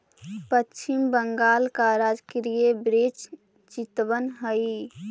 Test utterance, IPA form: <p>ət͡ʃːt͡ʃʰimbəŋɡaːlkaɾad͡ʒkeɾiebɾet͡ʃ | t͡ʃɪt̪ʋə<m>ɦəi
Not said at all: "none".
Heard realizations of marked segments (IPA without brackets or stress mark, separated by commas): p, n